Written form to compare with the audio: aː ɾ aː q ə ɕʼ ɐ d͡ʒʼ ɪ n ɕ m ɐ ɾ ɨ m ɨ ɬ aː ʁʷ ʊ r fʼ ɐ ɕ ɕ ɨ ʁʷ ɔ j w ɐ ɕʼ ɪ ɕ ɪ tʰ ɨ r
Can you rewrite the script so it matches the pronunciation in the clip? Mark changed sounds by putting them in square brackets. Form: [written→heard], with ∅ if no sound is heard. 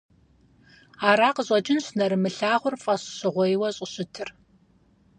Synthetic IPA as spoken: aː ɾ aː q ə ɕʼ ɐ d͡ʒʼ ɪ n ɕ [m→n] ɐ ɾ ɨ m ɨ ɬ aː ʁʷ ʊ r fʼ ɐ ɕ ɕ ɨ ʁʷ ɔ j w ɐ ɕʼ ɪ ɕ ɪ tʰ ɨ r